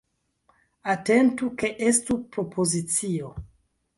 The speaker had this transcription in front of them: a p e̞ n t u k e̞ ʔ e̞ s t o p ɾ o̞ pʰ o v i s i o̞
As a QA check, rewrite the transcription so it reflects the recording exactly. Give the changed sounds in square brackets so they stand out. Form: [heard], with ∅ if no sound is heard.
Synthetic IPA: a [t] e̞ n t u k e̞ ʔ e̞ s t [u] p ɾ o̞ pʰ o [z] i [t͡s] i o̞